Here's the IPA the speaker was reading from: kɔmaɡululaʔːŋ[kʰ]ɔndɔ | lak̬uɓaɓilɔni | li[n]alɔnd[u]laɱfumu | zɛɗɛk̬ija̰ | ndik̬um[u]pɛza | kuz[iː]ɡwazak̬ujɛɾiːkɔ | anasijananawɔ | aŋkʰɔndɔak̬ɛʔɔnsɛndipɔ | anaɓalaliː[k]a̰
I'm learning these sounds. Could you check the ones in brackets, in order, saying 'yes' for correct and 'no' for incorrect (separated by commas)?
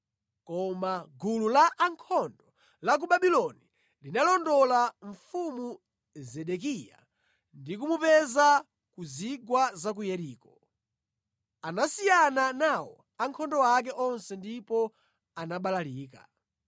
yes, yes, no, yes, no, yes